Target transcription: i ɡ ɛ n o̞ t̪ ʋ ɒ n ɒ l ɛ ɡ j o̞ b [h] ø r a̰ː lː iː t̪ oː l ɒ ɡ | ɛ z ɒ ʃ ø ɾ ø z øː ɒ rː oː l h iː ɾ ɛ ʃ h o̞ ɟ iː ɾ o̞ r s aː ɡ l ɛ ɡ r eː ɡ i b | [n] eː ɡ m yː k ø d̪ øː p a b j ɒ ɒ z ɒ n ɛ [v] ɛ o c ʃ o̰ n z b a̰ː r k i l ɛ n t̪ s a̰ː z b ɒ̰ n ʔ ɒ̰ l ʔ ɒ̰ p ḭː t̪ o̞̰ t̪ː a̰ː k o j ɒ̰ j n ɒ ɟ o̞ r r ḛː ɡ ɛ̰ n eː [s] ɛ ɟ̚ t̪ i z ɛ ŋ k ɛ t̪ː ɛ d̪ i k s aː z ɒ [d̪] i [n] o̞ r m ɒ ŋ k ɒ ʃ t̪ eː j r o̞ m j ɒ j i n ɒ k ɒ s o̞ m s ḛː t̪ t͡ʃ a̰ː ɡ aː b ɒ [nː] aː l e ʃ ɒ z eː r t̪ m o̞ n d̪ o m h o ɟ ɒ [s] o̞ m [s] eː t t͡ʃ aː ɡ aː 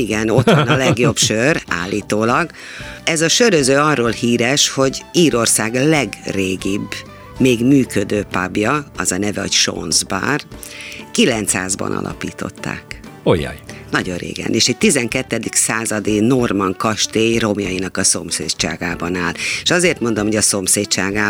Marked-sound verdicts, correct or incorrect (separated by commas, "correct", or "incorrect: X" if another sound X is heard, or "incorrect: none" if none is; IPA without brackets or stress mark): incorrect: ʃ, incorrect: m, correct, incorrect: ʃ, correct, correct, incorrect: n, correct, correct